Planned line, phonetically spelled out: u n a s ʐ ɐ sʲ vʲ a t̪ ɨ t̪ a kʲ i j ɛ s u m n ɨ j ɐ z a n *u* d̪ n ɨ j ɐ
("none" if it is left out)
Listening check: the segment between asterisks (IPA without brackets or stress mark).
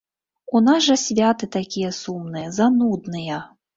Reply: u